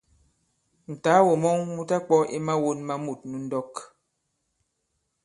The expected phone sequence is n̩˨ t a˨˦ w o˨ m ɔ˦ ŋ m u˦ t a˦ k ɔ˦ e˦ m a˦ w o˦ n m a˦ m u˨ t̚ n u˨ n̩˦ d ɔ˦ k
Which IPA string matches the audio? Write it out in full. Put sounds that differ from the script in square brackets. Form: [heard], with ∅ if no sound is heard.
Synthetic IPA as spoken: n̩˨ t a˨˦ w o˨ m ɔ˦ ŋ m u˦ t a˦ [k͡p] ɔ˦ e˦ m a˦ w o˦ n m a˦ m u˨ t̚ n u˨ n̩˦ d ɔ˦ k